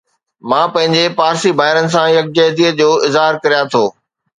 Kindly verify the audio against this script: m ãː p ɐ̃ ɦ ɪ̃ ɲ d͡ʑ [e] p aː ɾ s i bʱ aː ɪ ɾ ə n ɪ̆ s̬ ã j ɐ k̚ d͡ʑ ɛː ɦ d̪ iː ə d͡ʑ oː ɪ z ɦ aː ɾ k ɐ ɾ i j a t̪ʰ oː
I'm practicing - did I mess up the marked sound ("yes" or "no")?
no